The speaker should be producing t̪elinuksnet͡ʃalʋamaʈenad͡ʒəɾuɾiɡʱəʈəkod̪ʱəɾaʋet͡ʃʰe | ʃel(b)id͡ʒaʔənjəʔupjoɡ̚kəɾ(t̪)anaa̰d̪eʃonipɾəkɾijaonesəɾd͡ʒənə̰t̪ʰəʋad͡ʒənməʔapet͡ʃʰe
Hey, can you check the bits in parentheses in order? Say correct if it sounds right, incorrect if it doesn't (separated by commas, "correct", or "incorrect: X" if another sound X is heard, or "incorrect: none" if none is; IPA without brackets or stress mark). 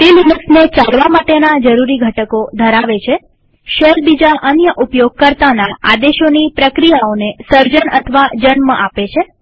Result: correct, correct